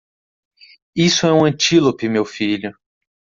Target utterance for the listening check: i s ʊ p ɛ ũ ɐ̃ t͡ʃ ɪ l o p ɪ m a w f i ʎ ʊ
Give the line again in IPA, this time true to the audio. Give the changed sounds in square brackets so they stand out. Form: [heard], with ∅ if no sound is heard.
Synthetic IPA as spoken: i s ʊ [∅] ɛ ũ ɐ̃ t͡ʃ [i] l o p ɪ m [e] w f i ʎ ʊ